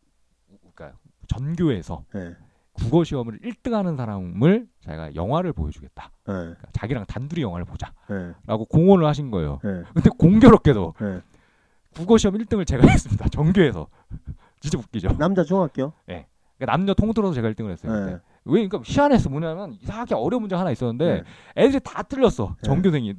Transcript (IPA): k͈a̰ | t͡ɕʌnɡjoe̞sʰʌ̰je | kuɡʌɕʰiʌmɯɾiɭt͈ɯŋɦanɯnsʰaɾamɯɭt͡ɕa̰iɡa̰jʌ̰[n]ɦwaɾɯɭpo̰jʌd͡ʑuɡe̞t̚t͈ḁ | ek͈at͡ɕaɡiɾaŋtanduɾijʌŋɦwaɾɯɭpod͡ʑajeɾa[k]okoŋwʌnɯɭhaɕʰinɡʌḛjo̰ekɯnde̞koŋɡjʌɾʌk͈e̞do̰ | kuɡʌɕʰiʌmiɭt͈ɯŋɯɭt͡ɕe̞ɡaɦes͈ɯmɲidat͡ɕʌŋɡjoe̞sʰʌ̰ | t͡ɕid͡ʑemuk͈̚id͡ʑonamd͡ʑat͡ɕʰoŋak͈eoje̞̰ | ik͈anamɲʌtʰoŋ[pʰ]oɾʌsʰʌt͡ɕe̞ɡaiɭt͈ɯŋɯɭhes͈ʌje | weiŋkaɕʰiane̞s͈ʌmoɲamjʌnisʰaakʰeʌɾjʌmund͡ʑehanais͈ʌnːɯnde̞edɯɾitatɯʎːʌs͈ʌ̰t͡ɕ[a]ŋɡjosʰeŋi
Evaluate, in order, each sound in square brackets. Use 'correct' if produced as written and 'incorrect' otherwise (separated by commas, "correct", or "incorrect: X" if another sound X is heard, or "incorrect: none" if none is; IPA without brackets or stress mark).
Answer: incorrect: ŋ, incorrect: ɡ, incorrect: tʰ, incorrect: ʌ